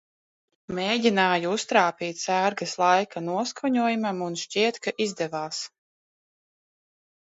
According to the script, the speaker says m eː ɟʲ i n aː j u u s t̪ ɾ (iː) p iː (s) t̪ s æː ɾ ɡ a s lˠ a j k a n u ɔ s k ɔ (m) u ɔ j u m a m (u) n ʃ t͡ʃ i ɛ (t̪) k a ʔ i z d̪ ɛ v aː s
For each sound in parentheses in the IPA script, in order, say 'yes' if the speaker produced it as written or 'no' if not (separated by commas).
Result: no, no, no, yes, yes